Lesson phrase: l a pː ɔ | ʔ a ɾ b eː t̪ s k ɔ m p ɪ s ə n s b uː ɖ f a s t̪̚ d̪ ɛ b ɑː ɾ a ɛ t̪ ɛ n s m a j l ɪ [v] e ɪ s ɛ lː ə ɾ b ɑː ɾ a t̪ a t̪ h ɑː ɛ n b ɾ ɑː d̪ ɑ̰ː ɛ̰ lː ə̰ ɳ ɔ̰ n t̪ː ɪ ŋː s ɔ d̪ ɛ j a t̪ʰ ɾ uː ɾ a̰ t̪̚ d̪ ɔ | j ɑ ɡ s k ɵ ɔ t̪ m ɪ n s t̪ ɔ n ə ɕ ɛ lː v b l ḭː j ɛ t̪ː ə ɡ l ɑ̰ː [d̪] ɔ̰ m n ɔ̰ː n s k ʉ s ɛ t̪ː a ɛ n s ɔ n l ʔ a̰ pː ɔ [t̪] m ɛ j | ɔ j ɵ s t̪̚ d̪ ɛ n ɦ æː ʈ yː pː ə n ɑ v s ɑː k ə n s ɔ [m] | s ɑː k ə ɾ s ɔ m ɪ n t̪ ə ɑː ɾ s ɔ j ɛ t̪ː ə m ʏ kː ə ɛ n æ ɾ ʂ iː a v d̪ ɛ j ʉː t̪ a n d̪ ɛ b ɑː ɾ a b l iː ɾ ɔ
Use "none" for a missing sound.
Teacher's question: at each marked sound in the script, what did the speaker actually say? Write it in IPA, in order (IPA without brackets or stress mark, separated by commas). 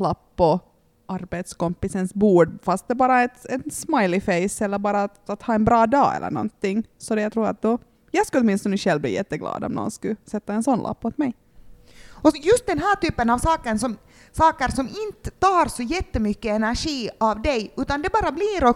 f, d̪, t̪, m